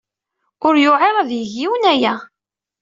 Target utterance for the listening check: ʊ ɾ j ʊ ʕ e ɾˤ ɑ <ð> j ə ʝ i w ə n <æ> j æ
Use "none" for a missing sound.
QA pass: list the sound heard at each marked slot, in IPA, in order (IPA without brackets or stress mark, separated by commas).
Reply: ð, æ